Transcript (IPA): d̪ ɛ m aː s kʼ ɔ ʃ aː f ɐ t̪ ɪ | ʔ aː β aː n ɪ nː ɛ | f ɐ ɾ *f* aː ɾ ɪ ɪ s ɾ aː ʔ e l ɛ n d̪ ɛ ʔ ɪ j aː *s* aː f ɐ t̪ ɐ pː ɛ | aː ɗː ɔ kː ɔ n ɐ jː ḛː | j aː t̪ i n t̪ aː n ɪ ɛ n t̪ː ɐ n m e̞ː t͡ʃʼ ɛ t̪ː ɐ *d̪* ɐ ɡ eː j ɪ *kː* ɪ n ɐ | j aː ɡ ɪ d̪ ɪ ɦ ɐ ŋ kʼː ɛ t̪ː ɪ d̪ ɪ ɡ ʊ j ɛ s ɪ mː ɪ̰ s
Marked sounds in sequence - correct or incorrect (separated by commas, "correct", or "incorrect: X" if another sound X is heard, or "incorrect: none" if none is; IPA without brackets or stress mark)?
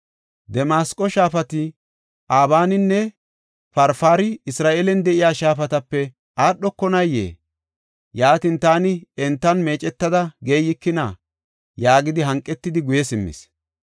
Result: correct, incorrect: ʃ, correct, correct